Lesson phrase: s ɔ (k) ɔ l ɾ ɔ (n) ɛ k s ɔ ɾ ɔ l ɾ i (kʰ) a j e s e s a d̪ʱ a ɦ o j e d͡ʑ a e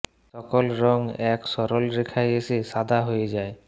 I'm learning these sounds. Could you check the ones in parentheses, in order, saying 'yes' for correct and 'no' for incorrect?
yes, no, yes

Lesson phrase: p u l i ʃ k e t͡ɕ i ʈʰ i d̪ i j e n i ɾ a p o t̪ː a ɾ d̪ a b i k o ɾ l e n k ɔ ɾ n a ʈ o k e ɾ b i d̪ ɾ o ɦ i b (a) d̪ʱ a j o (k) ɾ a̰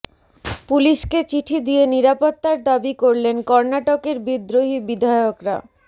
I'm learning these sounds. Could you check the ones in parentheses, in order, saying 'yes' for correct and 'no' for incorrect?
no, yes

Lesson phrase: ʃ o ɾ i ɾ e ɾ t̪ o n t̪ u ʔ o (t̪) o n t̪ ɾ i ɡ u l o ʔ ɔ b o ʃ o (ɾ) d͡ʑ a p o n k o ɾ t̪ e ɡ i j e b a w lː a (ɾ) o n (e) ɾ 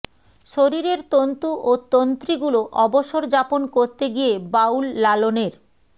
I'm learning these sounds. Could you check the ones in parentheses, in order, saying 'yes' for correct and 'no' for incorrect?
yes, yes, no, yes

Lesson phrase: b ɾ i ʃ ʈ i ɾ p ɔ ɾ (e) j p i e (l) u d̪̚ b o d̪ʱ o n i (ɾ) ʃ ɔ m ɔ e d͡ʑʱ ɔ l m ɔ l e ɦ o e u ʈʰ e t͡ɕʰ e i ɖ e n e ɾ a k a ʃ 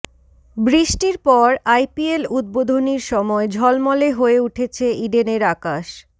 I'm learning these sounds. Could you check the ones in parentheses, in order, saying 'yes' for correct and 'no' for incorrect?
no, yes, yes

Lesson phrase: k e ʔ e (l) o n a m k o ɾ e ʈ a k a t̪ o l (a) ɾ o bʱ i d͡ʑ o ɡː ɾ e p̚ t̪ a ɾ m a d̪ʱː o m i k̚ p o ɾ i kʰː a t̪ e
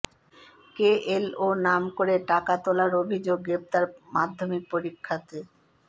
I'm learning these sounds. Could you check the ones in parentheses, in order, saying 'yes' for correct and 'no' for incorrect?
yes, yes

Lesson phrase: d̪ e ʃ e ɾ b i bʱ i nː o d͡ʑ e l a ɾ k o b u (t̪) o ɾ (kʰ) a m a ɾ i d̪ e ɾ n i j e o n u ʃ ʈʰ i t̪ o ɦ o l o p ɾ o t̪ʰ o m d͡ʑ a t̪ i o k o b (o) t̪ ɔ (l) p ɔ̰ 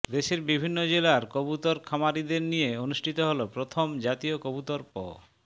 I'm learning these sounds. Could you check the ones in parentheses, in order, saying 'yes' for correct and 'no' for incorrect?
yes, yes, no, no

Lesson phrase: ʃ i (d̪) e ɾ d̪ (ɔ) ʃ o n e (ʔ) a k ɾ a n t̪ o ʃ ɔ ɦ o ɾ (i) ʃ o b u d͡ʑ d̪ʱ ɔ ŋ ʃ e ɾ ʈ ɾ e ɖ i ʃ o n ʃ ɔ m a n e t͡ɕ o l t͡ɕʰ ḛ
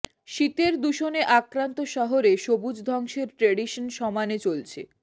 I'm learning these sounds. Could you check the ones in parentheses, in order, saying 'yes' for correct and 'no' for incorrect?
no, no, yes, no

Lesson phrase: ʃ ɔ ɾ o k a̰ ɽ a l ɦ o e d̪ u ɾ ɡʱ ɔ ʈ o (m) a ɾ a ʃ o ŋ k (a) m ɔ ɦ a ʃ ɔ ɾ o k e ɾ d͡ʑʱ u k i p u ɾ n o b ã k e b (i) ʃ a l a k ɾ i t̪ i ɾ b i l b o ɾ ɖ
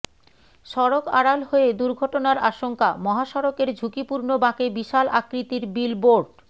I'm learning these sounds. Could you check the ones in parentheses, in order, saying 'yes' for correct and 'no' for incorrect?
no, yes, yes

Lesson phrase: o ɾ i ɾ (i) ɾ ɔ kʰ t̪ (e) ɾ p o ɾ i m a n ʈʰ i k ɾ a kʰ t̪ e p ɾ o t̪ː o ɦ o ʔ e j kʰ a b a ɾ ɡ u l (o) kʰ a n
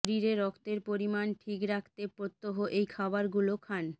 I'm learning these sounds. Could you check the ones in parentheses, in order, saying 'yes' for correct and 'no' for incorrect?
no, yes, yes

